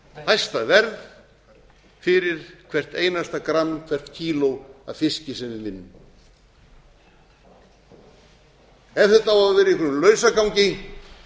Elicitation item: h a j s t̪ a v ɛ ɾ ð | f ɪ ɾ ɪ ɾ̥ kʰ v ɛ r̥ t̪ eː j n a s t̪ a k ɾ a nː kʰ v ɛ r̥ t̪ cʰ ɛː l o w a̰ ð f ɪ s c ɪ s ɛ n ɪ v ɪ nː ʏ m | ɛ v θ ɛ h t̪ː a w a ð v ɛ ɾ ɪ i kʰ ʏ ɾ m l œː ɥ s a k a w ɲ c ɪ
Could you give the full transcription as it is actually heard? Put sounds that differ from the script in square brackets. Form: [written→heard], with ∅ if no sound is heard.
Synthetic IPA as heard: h a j s t̪ a v ɛ ɾ ð | f ɪ ɾ ɪ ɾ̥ kʰ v ɛ r̥ t̪ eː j n a s t̪ a k ɾ a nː kʰ v ɛ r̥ t̪ cʰ [ɛː→iː] l o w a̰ ð f ɪ s c ɪ s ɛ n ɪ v ɪ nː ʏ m | ɛ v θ ɛ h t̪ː a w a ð v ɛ ɾ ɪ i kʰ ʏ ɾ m l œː ɥ s a k a w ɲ c ɪ